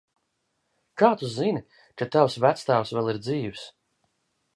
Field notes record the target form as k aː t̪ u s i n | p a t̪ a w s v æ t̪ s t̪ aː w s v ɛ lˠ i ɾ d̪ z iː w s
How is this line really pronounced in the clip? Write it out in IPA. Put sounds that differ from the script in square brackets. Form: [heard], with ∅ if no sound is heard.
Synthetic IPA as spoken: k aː t̪ u [z] i n | [k] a t̪ a w s v æ t̪ s t̪ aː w s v ɛ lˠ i ɾ d̪ z iː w s